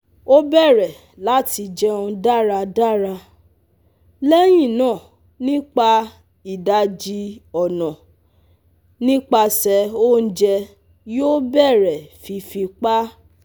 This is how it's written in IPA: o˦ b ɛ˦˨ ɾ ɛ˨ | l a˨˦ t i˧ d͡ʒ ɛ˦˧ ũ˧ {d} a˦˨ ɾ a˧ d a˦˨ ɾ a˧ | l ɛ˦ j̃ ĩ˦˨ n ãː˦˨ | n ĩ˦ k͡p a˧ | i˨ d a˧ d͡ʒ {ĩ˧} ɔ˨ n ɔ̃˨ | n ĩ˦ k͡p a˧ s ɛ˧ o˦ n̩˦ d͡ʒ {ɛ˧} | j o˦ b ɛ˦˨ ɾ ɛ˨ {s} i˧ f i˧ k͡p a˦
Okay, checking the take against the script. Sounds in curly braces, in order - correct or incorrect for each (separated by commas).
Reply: correct, incorrect, correct, incorrect